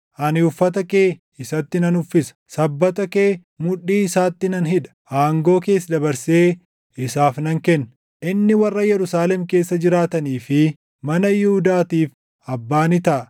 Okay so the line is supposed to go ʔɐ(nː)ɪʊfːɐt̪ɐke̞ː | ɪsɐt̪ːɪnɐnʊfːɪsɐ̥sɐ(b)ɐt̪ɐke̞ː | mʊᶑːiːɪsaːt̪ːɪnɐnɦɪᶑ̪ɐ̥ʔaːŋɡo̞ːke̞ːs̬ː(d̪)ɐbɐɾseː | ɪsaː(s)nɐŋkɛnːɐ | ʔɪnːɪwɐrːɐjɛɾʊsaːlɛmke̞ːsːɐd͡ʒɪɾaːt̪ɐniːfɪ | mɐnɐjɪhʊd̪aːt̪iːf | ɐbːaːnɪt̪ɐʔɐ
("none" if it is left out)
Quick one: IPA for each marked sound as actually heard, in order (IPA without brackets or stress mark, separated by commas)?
n, bː, d̪, f